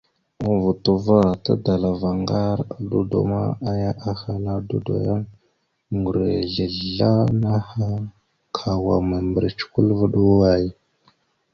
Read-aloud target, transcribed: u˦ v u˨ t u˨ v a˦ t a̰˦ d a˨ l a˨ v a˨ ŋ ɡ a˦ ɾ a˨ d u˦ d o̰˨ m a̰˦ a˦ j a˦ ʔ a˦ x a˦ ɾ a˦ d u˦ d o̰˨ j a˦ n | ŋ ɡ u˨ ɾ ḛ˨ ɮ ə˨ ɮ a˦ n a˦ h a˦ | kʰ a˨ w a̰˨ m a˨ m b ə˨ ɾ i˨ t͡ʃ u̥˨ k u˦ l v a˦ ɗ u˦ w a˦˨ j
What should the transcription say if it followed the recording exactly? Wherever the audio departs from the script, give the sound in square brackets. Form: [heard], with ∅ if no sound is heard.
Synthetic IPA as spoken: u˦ v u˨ t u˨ v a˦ t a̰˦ d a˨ l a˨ v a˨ ŋ ɡ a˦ ɾ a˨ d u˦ d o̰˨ m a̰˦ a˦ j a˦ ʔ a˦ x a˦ [l] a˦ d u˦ d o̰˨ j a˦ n | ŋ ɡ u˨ ɾ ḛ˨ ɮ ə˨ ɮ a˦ n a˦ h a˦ | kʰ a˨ w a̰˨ m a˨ m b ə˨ ɾ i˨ t͡ʃ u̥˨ k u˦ l v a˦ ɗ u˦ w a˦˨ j